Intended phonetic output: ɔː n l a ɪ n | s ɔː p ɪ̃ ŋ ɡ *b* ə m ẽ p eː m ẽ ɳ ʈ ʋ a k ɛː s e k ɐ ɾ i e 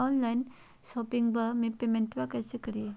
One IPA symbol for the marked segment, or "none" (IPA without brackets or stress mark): b